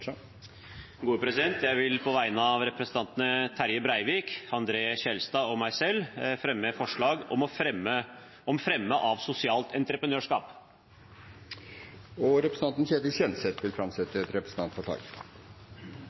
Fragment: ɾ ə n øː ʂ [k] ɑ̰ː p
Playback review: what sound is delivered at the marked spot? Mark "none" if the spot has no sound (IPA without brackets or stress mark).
k